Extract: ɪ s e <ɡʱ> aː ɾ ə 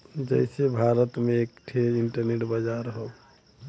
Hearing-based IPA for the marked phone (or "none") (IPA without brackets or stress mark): bʱ